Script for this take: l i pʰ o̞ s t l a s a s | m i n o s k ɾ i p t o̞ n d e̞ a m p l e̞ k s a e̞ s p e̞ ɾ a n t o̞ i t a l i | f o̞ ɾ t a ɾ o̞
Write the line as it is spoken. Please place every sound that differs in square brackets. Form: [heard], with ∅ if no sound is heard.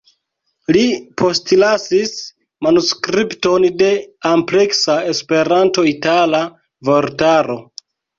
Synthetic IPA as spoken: l i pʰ o̞ s t l a s [i] s | m [a] n [u] s k ɾ i p t o̞ n d e̞ a m p l e̞ k s a e̞ s p e̞ ɾ a n t o̞ i t a l [a] | [v] o̞ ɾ t a ɾ o̞